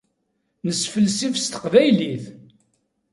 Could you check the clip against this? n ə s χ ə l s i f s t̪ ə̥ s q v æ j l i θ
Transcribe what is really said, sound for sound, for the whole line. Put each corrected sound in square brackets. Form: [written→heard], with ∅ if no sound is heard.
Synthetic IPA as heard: n ə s [χ→f] ə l s i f s t̪ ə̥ [s→∅] q v æ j l i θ